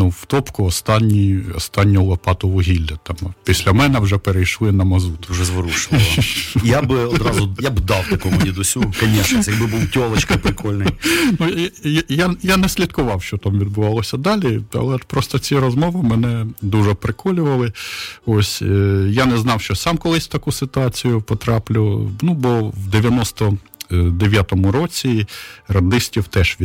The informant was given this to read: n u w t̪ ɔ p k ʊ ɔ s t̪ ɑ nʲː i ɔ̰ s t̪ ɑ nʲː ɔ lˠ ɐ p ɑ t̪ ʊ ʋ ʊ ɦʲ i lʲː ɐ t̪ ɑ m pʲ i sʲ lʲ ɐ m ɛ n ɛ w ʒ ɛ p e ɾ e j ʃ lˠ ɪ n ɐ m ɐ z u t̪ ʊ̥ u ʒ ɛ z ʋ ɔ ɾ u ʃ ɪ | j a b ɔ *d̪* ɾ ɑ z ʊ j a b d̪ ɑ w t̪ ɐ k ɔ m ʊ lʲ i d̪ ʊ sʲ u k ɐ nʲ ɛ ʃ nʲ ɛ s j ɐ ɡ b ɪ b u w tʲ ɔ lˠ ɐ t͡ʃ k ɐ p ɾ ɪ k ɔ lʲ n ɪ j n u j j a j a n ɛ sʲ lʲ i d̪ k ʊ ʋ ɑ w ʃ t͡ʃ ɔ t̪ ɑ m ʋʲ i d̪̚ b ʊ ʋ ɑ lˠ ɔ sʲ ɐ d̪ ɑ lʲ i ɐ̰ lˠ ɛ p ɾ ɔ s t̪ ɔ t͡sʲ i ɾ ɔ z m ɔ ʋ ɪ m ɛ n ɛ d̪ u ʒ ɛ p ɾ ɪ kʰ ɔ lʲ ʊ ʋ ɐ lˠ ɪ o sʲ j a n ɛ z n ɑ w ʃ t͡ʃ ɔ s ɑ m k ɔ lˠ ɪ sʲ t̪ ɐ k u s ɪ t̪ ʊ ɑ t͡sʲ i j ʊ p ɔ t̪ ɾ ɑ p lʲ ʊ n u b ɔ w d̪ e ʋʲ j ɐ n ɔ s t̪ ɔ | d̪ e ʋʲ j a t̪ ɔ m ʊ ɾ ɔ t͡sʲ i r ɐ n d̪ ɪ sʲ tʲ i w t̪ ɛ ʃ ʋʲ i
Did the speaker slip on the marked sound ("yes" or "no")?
no